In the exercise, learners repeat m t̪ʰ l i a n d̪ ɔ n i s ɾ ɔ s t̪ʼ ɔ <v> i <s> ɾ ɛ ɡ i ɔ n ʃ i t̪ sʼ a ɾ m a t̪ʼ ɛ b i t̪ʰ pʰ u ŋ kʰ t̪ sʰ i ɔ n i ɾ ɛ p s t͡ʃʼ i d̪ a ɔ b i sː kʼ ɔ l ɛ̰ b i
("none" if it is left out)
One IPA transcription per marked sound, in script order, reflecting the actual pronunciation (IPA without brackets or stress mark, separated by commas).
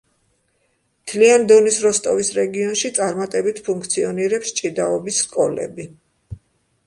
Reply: v, s